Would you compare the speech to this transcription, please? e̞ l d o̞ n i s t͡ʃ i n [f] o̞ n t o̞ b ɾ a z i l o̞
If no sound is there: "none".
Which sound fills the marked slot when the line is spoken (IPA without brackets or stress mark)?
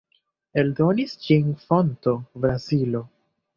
f